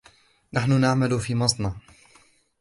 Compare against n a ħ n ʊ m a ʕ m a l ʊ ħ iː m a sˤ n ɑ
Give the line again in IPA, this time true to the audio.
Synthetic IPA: n a ħ n ʊ n a ʕ m a l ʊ f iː m ɑ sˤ n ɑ